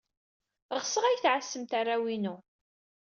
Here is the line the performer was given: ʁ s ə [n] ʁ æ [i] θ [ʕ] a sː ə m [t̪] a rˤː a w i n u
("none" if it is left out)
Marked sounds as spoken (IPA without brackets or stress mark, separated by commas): none, j, ʕ, t̪